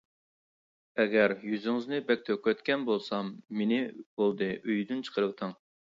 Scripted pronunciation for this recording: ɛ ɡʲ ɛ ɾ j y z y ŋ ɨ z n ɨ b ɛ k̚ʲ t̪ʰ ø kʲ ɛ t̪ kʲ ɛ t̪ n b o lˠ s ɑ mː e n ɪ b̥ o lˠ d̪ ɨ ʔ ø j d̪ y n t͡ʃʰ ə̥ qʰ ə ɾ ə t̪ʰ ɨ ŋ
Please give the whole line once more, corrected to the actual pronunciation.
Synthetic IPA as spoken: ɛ ɡʲ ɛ ɾ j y z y ŋ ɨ z n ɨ b ɛ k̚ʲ t̪ʰ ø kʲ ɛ t̪ kʲ ɛ n b o lˠ s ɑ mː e n ɪ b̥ o lˠ d̪ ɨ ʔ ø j d̪ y n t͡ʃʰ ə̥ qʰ ə ɾ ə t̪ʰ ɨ ŋ